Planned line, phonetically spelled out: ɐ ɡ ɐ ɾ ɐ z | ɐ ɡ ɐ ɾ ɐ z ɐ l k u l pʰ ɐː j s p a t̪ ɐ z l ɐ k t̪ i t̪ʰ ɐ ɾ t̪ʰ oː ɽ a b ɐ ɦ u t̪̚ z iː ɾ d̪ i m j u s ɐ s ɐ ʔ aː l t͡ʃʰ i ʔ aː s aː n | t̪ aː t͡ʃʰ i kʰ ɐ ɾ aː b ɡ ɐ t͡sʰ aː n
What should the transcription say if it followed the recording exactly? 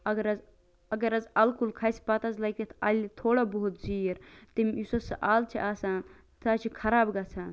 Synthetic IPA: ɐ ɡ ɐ ɾ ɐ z | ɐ ɡ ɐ ɾ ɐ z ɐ l k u l kʰ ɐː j s p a t̪ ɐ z l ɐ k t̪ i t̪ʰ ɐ l t̪ʰ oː ɽ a b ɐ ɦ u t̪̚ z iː ɾ t̪ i m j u s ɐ s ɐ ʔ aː l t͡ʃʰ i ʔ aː s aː n | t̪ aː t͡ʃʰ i kʰ ɐ ɾ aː b ɡ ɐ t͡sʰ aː n

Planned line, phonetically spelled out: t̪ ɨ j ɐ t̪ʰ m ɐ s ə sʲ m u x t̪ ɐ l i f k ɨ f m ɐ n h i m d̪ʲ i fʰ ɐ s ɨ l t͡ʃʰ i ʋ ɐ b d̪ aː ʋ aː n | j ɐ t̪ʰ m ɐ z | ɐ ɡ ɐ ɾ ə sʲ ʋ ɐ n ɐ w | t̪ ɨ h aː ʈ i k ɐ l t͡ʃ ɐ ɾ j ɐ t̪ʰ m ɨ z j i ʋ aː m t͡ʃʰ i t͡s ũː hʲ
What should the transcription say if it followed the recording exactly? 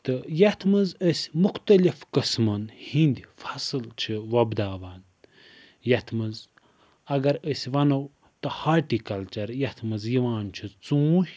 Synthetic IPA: t̪ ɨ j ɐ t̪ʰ m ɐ z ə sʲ m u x t̪ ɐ l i f k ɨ s m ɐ n h i n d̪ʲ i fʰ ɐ s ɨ l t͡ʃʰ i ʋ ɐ b d̪ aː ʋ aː n | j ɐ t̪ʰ m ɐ z | ɐ ɡ ɐ ɾ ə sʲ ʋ ɐ n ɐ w | t̪ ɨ h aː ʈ i k ɐ l t͡ʃ ɐ ɾ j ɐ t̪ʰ m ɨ z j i ʋ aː n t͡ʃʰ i t͡s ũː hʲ

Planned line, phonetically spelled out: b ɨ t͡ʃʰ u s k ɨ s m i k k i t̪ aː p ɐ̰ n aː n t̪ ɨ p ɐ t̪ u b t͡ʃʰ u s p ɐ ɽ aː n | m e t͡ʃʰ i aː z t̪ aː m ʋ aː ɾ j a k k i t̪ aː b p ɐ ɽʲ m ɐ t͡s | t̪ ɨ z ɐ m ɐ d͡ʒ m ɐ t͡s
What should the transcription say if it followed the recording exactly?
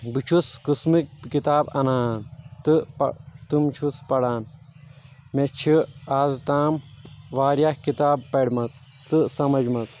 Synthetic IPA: b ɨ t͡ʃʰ u s k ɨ s m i k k i t̪ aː b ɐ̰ n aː n t̪ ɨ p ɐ t̪ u m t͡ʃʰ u s p ɐ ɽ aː n | m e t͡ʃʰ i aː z t̪ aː m ʋ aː ɾ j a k k i t̪ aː b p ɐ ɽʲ m ɐ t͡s | t̪ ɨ s ɐ m ɐ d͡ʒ m ɐ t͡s

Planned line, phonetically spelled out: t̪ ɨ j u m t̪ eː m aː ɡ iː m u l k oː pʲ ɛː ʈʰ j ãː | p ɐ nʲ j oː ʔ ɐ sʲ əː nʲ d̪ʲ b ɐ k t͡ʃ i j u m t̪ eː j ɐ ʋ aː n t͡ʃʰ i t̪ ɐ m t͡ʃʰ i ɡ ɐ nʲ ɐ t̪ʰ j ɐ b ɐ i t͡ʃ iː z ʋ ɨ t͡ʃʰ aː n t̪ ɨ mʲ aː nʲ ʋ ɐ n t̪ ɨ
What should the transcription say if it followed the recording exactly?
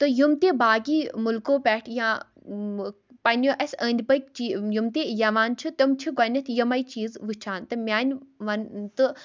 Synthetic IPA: t̪ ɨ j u m t̪ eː b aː ɡ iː m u l k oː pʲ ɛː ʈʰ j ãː | p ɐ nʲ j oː ʔ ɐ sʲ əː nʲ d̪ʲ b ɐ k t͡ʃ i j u m t̪ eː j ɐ ʋ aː n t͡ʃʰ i t̪ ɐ m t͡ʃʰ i ɡ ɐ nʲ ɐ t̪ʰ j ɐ m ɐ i t͡ʃ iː z ʋ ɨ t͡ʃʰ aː n t̪ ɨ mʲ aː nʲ ʋ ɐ n t̪ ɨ

